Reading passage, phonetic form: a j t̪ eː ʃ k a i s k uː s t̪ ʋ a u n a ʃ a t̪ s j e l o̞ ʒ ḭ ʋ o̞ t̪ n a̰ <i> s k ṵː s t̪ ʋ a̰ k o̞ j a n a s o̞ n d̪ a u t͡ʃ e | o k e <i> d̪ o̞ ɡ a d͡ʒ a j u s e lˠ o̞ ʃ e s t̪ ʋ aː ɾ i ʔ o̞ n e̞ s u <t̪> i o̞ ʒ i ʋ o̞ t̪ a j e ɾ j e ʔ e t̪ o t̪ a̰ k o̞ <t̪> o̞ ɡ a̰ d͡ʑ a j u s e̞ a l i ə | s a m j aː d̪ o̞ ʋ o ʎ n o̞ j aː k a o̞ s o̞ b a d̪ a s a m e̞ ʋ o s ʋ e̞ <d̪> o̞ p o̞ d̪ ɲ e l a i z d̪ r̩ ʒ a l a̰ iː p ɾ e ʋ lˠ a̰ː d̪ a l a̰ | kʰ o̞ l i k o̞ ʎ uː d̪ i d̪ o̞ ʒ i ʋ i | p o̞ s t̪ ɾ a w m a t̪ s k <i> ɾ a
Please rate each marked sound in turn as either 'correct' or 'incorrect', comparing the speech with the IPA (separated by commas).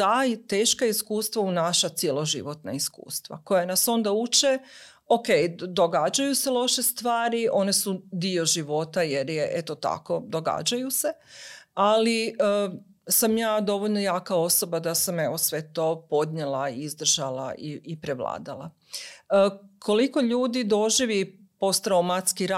correct, incorrect, incorrect, incorrect, incorrect, correct